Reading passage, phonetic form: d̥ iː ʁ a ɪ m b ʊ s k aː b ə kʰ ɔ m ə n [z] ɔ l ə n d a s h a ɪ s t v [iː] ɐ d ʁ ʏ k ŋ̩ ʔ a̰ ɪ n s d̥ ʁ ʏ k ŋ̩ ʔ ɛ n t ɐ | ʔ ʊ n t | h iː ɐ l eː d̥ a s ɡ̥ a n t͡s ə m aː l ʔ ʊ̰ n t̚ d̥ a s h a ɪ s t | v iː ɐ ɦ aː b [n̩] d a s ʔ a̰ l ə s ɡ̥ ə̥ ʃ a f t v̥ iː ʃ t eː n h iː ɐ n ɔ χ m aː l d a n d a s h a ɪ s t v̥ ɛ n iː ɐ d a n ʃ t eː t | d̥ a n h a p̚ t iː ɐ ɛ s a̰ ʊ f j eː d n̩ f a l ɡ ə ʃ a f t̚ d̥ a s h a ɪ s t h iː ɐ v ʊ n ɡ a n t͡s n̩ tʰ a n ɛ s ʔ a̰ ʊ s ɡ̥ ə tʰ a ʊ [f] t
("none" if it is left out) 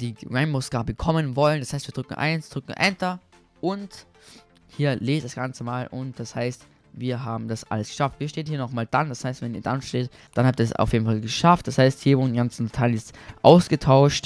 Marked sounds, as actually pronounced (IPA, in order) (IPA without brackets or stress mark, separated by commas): v, iː, m̩, ʃ